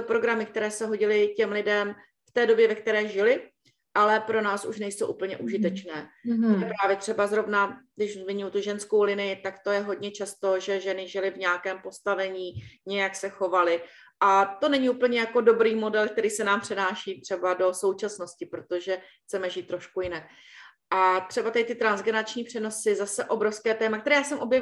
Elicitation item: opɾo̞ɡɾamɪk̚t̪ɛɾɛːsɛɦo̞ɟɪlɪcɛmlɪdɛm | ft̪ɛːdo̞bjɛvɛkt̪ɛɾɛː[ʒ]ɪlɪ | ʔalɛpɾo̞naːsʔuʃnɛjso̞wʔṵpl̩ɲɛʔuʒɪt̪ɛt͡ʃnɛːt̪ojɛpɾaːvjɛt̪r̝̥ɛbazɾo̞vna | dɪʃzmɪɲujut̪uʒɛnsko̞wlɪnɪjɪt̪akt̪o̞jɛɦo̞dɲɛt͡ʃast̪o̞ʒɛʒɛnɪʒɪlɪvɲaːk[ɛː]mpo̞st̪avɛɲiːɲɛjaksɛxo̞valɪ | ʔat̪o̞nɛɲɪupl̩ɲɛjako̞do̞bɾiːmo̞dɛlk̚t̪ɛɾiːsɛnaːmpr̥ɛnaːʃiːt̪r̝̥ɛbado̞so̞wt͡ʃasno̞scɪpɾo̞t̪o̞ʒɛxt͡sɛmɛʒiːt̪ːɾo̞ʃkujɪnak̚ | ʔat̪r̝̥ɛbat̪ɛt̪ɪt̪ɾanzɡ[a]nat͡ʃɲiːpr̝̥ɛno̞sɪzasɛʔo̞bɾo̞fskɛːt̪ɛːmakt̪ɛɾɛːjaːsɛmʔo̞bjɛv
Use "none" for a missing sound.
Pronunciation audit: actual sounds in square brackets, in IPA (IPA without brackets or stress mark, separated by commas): ʒ, ɛː, ɛ